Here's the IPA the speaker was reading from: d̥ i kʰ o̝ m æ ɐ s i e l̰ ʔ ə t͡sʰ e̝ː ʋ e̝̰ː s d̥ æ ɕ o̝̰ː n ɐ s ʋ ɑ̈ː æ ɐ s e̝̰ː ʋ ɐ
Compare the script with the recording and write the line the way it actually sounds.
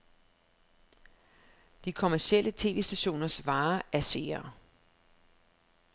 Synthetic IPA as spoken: d̥ i kʰ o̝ m æ ɐ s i e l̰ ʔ ə t͡sʰ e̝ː ʋ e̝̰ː s d̥ æ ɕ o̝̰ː n ɐ s ʋ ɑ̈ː æ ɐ s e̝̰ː ɐ